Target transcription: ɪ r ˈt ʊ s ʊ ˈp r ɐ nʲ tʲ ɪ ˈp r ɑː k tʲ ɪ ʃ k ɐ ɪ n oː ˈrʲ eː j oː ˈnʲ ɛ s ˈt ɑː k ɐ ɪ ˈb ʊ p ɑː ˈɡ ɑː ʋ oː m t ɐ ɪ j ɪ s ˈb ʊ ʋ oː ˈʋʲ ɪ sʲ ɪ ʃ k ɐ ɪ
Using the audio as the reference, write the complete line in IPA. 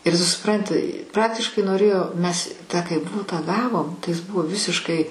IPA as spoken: ɪ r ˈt ʊ s ʊ ˈp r ɐ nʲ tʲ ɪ ˈp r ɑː k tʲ ɪ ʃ k ɐ ɪ n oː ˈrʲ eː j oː ˈmʲ ɛ s ˈt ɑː k ɐ ɪ ˈb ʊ t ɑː ˈɡ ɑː ʋ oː m t ɐ ɪ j ɪ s ˈb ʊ ʋ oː ˈʋʲ ɪ sʲ ɪ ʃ k ɐ ɪ